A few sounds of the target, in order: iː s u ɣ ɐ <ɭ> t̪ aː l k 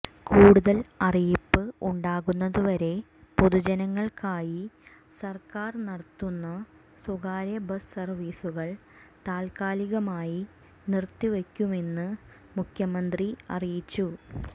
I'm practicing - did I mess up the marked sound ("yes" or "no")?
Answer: no